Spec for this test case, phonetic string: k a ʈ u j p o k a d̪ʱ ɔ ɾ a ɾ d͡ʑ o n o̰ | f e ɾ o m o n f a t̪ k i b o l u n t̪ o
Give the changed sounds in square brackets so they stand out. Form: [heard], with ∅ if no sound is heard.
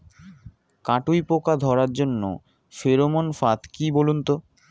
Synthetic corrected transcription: k a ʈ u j p o k a d̪ʱ ɔ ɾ a ɾ d͡ʑ o [nː] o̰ | f e ɾ o m o n f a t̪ k i b o l u n t̪ o